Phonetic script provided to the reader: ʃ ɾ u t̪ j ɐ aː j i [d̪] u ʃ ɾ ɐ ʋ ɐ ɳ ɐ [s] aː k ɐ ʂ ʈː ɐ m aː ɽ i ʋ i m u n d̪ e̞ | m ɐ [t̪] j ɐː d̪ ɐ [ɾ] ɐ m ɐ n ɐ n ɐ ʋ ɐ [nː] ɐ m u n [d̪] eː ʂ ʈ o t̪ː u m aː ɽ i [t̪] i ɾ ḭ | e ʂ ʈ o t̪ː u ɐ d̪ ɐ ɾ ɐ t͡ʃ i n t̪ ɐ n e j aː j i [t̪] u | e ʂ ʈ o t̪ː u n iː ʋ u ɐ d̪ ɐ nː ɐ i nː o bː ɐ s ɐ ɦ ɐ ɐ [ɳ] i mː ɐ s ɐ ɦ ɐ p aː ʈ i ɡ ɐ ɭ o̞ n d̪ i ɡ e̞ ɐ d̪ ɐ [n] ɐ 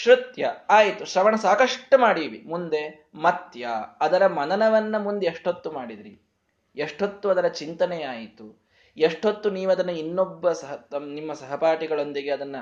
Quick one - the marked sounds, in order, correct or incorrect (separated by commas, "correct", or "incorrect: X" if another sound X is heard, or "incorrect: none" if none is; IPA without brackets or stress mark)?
incorrect: t̪, correct, correct, correct, correct, correct, incorrect: d̪, correct, incorrect: n, incorrect: nː